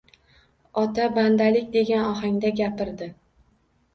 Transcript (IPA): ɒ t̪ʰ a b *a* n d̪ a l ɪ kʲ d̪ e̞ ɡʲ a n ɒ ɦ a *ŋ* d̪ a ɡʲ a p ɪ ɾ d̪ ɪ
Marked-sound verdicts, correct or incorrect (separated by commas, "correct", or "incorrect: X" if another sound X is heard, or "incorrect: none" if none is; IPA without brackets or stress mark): correct, correct